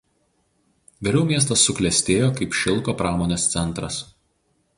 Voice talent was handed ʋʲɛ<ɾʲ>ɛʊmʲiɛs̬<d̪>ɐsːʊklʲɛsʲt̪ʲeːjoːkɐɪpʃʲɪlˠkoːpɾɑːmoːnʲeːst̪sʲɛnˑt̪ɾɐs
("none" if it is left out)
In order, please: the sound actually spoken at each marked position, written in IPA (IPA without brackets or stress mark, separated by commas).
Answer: ɾʲ, t̪